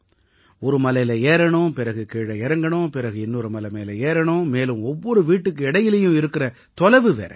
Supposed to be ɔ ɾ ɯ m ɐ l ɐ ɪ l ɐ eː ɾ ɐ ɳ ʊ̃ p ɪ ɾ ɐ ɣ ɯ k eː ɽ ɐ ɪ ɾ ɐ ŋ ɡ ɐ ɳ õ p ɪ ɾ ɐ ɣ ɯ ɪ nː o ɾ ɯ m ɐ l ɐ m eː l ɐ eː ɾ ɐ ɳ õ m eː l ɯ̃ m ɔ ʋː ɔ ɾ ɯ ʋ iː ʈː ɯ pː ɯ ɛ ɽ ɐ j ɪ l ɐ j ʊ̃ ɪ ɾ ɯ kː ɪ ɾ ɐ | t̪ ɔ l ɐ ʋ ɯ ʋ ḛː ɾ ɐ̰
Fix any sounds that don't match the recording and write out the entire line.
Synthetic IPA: ɔ ɾ ɯ m ɐ l ɐ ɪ l ɐ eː ɾ ɐ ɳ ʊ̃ p ɪ ɾ ɐ ɣ ɯ k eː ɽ ɐ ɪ ɾ ɐ ŋ ɡ ɐ ɳ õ p ɪ ɾ ɐ ɣ ɯ ɪ nː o ɾ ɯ m ɐ l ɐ m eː l ɐ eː ɾ ɐ ɳ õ m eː l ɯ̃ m ɔ ʋː ɔ ɾ ɯ ʋ iː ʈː ɯ kː ɯ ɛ ɽ ɐ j ɪ l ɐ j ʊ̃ ɪ ɾ ɯ kː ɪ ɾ ɐ | t̪ ɔ l ɐ ʋ ɯ ʋ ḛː ɾ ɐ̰